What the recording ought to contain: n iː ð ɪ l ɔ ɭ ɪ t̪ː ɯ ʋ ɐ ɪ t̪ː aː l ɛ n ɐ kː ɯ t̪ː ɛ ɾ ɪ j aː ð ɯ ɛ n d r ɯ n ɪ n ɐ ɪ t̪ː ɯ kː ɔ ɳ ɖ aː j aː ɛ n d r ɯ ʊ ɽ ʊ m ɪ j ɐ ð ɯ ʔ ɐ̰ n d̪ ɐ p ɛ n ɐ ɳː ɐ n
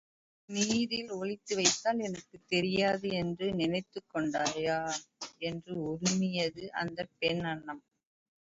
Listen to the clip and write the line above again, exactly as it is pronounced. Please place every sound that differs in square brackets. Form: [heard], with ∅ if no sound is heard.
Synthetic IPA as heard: n iː ð ɪ l ɔ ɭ ɪ t̪ː ɯ ʋ ɐ ɪ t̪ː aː l ɛ n ɐ kː ɯ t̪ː ɛ ɾ ɪ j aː ð ɯ ɛ n d r ɯ n ɪ n ɐ ɪ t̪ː ɯ kː ɔ ɳ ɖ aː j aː ɛ n d r ɯ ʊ [ɾ] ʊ m ɪ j ɐ ð ɯ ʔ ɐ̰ n d̪ ɐ p ɛ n ɐ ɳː ɐ [m]

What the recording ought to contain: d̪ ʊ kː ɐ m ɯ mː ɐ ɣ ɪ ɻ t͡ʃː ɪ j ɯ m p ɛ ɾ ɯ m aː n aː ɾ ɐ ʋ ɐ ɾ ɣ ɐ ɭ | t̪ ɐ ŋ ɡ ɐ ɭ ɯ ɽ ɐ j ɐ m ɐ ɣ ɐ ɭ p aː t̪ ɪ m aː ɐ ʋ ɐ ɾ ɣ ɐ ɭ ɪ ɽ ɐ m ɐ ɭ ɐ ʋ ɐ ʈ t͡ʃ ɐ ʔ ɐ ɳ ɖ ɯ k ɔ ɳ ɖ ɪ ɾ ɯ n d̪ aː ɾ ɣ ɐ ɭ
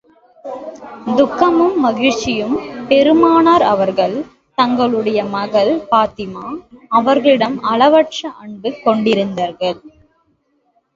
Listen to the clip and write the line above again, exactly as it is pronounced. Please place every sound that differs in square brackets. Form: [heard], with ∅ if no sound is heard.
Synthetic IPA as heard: d̪ ʊ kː ɐ m ɯ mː ɐ ɣ ɪ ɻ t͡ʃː ɪ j ɯ m p ɛ ɾ ɯ m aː n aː ɾ ɐ ʋ ɐ ɾ ɣ ɐ ɭ | t̪ ɐ ŋ ɡ ɐ ɭ ɯ ɽ ɐ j ɐ m ɐ ɣ ɐ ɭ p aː t̪ ɪ m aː ɐ ʋ ɐ ɾ ɣ ɐ ɭ ɪ ɽ ɐ m ɐ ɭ ɐ ʋ ɐ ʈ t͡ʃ ɐ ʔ ɐ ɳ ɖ ɯ k ɔ ɳ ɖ ɪ ɾ ɯ n d̪ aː ɾ ɣ ɐ ɭ

